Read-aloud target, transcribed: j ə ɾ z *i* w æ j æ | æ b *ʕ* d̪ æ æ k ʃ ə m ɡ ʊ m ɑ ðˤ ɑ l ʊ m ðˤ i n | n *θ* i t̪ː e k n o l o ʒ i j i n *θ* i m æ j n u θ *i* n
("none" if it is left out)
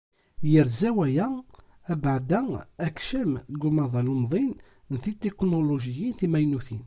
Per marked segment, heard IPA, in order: æ, ʕ, θ, θ, i

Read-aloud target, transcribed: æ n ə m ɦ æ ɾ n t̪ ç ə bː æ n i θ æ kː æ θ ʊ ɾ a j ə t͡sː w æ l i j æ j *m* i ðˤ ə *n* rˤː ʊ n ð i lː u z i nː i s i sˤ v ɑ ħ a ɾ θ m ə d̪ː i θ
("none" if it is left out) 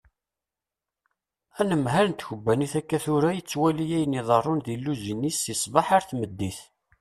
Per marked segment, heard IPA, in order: n, none

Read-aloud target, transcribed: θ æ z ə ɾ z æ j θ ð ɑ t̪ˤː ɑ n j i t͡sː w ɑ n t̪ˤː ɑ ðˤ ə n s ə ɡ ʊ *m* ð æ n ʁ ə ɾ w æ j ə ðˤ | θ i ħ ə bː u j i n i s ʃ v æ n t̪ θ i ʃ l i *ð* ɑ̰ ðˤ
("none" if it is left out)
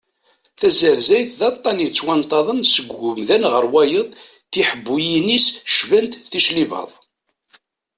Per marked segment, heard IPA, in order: m, v

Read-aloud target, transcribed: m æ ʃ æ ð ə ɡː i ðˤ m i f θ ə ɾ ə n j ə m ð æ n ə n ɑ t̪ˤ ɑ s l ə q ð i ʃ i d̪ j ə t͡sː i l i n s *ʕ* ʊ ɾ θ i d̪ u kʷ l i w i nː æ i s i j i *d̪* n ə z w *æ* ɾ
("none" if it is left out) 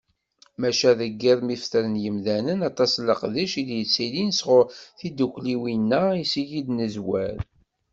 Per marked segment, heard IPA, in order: ʁ, d̪, æ

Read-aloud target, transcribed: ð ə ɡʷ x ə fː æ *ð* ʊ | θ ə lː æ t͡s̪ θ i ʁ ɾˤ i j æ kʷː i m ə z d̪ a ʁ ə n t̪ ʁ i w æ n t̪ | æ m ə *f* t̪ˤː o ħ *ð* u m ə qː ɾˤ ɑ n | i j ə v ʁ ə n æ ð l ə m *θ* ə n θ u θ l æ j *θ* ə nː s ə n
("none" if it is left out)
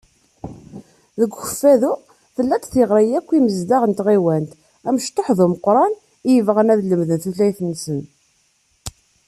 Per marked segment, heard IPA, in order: ð, ʃ, ð, ð, θ

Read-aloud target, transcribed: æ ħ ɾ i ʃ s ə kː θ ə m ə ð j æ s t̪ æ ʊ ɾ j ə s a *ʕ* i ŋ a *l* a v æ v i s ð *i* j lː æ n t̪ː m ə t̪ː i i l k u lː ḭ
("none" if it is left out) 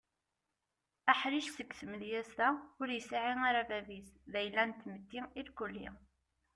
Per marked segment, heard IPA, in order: ʕ, ɾ, æ

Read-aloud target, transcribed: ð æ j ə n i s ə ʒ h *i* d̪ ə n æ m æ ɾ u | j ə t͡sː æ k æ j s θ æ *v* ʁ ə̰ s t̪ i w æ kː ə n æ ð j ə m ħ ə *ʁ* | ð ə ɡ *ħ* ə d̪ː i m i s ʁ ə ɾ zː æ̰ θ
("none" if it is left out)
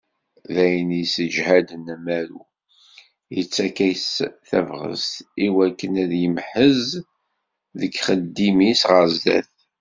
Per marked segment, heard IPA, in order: æ, v, z, χ

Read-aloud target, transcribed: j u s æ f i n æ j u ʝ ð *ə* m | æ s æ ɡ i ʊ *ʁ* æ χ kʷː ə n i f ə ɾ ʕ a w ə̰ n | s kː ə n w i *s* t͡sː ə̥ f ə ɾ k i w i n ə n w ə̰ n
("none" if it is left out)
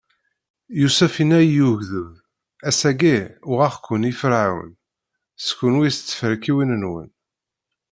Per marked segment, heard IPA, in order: ə, ʁ, s

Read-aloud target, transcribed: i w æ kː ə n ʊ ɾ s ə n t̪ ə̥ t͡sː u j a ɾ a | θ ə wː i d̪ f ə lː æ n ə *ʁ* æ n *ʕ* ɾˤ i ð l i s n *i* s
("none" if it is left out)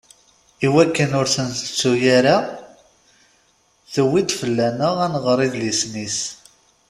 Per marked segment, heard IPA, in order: ʁ, ʁ, i

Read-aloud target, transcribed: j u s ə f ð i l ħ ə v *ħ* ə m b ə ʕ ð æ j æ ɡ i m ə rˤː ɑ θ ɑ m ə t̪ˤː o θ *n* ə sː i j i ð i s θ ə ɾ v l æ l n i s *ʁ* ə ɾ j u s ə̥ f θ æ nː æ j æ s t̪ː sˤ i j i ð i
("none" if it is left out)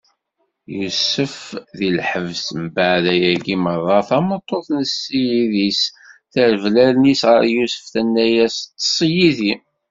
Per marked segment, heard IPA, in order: s, n, ʁ

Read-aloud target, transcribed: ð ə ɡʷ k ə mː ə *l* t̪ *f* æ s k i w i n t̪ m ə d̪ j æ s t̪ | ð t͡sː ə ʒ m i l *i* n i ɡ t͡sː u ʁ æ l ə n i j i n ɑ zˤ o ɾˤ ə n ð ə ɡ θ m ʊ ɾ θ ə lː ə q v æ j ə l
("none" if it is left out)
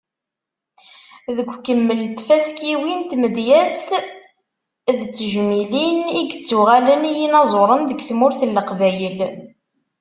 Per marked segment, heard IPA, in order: l, f, i

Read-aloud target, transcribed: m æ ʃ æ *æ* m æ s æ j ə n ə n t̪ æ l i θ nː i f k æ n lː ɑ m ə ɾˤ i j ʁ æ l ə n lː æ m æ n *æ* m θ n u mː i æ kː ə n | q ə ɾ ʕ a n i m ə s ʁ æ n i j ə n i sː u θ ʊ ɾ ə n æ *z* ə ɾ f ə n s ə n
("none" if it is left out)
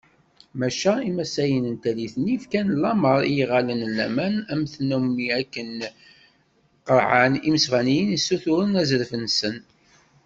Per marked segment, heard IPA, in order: i, æ, z

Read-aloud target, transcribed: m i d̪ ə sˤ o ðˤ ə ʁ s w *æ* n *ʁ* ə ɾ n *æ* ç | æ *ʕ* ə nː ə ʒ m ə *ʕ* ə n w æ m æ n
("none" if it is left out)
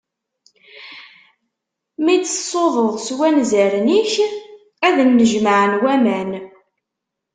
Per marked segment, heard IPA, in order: æ, z, i, ð, ʕ

